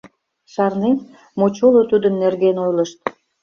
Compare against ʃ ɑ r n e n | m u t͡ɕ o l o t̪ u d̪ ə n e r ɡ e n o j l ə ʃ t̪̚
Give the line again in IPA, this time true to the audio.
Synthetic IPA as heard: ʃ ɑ r n e n | m o t͡ɕ o l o t̪ u d̪ ə nː e r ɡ e n o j l ə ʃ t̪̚